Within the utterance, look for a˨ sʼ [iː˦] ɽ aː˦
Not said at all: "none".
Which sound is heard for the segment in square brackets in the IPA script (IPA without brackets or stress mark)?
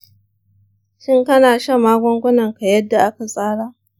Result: aː˦